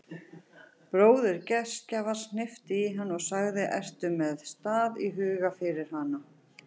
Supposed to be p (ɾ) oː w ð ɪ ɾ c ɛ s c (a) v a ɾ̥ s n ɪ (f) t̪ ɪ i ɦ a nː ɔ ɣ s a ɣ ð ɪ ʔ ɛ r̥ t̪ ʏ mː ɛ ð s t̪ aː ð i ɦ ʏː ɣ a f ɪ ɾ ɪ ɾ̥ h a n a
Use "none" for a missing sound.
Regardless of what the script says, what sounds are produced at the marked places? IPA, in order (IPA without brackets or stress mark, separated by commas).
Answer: ɾ, a, f